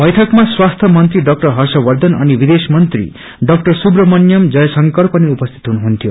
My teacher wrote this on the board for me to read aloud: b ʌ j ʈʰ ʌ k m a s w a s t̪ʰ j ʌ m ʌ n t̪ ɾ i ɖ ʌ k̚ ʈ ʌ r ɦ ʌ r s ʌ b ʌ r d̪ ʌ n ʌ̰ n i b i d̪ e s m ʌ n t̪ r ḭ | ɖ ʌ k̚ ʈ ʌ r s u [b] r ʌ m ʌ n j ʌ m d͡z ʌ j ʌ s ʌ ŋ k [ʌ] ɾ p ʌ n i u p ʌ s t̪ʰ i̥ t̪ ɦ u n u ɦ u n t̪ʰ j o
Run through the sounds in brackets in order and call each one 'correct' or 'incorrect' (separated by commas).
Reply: correct, correct